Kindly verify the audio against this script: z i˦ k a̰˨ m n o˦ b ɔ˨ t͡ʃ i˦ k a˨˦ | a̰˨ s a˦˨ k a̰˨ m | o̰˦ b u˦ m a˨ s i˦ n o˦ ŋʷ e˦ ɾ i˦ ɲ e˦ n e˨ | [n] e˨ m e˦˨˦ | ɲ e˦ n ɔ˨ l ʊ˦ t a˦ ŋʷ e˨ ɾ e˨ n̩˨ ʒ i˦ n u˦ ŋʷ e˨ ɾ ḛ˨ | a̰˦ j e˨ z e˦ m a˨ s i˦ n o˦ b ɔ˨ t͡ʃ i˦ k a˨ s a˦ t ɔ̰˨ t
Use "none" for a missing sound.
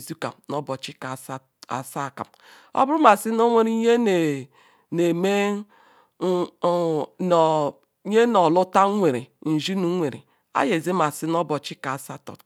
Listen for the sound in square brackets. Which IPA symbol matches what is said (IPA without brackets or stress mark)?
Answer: n